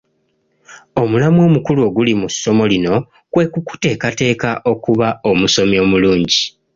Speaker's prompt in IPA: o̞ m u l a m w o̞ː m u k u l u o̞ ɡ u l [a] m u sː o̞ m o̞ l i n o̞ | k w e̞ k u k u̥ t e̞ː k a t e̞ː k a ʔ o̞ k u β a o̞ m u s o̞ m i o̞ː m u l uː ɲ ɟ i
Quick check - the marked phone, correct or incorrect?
incorrect